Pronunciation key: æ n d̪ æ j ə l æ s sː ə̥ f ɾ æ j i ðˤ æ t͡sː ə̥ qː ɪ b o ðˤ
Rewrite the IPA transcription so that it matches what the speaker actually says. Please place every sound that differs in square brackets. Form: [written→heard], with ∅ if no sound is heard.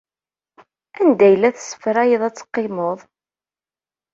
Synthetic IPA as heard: æ n d̪ æ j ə l æ [s→θ] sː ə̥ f ɾ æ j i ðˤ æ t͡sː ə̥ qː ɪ [b→m] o ðˤ